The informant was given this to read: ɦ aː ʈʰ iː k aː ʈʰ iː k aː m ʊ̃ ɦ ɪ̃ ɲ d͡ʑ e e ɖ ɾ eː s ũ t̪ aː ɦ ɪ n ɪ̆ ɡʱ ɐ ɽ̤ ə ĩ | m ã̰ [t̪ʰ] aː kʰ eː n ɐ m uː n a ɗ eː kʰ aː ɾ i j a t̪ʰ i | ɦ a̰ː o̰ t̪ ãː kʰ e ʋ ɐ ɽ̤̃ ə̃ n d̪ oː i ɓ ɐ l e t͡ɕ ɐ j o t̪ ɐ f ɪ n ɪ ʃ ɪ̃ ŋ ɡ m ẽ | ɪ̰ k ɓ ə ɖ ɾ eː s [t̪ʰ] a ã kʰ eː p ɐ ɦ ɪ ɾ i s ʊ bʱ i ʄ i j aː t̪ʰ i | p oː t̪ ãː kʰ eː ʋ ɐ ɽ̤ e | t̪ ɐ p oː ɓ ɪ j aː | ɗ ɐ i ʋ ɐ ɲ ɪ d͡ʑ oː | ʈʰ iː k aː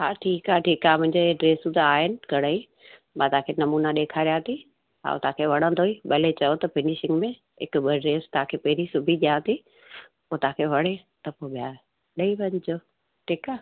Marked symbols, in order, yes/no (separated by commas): no, no